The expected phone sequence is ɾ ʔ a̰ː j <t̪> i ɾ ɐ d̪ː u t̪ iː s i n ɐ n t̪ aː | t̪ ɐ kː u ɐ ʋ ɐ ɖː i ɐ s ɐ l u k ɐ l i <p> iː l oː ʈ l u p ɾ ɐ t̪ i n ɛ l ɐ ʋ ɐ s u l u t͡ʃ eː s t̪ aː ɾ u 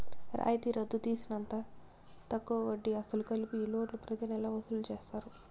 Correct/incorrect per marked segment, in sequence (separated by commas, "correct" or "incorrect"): correct, correct